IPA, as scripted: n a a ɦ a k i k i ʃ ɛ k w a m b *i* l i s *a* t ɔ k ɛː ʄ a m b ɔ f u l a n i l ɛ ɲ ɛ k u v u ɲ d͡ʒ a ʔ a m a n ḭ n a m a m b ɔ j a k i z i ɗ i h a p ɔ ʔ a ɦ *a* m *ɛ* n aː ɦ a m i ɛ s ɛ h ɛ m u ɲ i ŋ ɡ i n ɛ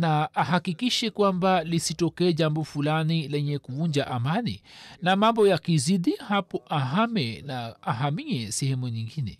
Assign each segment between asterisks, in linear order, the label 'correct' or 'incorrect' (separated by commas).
incorrect, incorrect, correct, correct